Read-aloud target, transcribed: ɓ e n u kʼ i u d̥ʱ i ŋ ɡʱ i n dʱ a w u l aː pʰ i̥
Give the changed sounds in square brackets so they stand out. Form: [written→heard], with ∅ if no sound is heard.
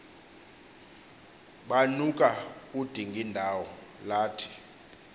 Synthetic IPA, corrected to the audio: ɓ [e→a] n u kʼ [i→a] u d̥ʱ i ŋ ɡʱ i n dʱ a w [u→ɔ] l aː [pʰ→tʰ] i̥